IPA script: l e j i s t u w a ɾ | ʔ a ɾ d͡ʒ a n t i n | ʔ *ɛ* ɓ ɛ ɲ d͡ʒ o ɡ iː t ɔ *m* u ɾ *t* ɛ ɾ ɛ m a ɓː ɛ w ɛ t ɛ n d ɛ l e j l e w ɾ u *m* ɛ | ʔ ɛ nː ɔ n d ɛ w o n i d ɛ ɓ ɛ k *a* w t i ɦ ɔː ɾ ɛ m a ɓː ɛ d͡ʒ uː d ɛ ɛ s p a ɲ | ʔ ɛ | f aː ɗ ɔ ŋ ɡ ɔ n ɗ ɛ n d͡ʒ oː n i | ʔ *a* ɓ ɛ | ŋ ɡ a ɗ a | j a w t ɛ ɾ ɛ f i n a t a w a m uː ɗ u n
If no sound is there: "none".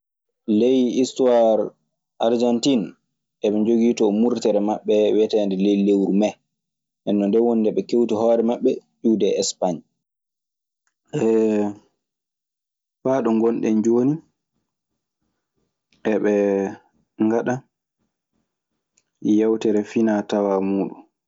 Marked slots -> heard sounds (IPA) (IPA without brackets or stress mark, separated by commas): ɛ, m, t, m, e, ɛ